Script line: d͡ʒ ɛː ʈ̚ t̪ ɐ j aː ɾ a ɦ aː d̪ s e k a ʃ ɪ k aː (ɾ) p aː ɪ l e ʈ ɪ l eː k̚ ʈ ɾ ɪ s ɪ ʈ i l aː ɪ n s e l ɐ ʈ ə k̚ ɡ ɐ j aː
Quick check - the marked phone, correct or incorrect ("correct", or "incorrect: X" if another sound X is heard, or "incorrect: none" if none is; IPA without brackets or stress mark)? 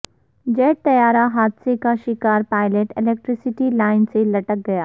correct